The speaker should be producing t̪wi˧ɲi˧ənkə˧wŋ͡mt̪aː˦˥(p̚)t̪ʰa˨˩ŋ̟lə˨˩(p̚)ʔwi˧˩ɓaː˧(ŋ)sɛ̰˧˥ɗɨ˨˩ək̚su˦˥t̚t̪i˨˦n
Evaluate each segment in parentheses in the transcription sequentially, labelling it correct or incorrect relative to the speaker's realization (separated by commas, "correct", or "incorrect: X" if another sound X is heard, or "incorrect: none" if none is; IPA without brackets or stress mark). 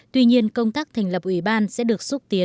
incorrect: k̚, correct, incorrect: n